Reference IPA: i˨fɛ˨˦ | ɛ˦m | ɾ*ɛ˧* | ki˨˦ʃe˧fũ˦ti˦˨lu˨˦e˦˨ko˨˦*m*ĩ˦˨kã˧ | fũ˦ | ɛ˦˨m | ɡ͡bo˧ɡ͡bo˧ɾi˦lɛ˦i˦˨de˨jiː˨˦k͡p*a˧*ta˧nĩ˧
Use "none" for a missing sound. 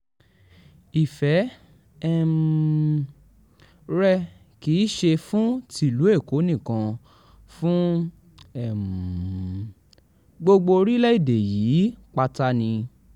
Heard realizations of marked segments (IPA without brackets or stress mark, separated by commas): ɛ˧, n, a˧